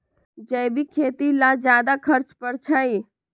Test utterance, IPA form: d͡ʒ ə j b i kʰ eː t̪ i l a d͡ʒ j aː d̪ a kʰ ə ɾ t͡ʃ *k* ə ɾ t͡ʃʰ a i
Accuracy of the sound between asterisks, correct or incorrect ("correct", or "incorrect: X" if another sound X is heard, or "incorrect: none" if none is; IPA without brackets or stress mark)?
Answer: incorrect: p